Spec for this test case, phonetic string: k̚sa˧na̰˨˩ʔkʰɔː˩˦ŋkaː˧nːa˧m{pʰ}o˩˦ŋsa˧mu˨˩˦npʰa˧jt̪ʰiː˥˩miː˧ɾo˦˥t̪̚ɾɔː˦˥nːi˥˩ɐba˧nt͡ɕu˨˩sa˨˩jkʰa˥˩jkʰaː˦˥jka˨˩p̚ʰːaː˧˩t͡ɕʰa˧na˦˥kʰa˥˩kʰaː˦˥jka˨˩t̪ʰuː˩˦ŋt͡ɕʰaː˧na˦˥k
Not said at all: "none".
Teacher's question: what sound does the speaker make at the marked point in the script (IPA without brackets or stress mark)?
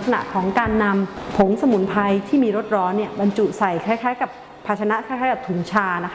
pʰ